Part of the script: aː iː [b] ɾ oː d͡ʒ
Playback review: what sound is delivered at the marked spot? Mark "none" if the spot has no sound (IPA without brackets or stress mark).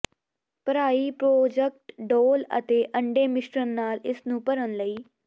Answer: p